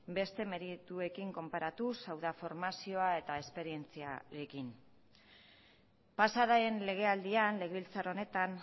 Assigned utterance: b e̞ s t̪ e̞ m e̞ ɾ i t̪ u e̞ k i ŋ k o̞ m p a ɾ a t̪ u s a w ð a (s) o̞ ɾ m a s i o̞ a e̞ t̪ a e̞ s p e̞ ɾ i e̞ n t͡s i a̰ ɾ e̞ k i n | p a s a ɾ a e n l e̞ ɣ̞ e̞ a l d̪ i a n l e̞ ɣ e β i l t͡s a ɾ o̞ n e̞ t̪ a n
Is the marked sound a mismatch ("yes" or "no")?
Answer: yes